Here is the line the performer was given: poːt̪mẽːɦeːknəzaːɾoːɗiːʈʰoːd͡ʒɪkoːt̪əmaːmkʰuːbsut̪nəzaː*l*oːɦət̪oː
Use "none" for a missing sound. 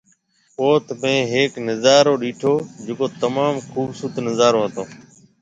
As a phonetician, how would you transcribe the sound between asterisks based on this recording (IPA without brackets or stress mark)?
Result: ɾ